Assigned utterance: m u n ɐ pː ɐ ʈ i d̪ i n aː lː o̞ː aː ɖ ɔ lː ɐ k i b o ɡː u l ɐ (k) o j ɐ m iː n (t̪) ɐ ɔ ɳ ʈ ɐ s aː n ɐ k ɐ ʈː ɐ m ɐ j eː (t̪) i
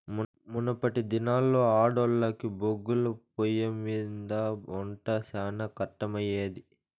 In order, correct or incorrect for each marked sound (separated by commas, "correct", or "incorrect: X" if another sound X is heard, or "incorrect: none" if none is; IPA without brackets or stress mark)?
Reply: incorrect: p, incorrect: d̪, incorrect: d̪